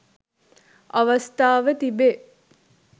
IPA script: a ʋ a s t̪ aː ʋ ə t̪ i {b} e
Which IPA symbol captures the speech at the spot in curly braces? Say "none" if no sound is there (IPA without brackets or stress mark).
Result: b